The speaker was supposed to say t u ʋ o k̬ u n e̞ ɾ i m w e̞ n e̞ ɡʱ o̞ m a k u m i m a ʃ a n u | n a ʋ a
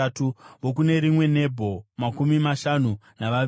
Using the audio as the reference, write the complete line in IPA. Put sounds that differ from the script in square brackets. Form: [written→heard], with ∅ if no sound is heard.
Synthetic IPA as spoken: t u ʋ o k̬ u n e̞ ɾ i m w e̞ n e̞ [ɡʱ→bʱ] o̞ m a k u m i m a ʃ a n u | n a ʋ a